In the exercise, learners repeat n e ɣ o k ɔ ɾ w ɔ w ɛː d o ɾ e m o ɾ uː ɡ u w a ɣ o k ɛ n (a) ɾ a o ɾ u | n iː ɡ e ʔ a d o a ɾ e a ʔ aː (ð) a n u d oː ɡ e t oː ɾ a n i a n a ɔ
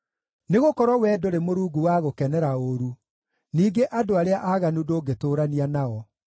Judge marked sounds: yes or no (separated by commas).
no, no